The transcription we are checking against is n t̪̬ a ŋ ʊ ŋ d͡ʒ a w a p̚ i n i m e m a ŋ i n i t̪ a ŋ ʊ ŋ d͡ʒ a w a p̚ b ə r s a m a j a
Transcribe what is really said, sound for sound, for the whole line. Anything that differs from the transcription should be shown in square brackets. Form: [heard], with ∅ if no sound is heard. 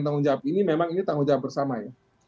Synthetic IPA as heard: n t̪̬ a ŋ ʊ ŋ d͡ʒ a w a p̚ i n i m e m a ŋ i n i t̪ a ŋ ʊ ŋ d͡ʒ a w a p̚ b ə r s a m a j a